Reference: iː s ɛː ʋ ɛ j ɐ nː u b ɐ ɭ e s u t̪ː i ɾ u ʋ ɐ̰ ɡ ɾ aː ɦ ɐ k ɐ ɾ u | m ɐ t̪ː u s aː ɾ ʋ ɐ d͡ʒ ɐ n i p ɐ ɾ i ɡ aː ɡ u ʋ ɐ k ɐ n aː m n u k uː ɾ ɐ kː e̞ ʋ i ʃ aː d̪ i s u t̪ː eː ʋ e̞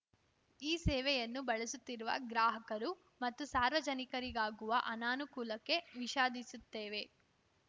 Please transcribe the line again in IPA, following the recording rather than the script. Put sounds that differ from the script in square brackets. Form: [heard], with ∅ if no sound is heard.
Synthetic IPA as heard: iː s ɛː ʋ ɛ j ɐ nː u b ɐ ɭ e s u t̪ː i ɾ u ʋ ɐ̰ ɡ ɾ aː ɦ ɐ k ɐ ɾ u | m ɐ t̪ː u s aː ɾ ʋ ɐ d͡ʒ ɐ n i [k] ɐ ɾ i ɡ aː ɡ u ʋ ɐ [ʔ] ɐ n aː [∅] n u k uː [l] ɐ kː e̞ ʋ i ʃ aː d̪ i s u t̪ː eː ʋ e̞